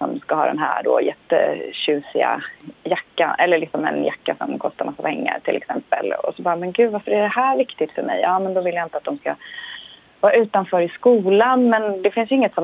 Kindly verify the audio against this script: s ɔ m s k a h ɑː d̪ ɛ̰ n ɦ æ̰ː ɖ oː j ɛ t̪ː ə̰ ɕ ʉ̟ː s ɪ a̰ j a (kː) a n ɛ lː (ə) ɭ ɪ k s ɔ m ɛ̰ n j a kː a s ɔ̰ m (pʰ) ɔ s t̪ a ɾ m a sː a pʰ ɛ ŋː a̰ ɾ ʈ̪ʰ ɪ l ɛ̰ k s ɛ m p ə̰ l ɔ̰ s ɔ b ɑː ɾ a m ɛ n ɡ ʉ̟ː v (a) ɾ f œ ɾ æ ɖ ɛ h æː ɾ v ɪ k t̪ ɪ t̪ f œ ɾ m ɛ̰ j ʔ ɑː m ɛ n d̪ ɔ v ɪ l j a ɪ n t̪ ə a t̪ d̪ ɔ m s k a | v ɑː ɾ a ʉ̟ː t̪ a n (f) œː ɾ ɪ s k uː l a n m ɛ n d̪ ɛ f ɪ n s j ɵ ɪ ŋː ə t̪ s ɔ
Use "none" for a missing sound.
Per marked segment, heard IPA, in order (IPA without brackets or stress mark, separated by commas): kː, ə, kʰ, a, f